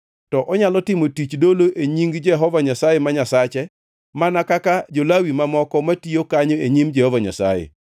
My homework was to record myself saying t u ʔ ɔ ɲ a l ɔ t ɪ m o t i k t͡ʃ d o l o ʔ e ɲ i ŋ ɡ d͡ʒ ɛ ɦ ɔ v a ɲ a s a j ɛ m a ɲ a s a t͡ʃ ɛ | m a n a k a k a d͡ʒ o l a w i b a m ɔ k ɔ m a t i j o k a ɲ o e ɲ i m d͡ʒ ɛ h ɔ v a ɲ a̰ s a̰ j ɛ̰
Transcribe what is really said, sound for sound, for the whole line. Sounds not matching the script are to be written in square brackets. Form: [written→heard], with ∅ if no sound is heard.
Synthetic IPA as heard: t [u→ɔ] ʔ ɔ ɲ a l ɔ t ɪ m o t i [k→∅] t͡ʃ d o l o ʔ e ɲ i ŋ ɡ d͡ʒ ɛ ɦ ɔ v a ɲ a s a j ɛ m a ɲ a s a t͡ʃ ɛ | m a n a k a k a d͡ʒ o l a w i [b→m] a m ɔ k ɔ m a t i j o k a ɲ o e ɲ i m d͡ʒ ɛ h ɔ v a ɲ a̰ s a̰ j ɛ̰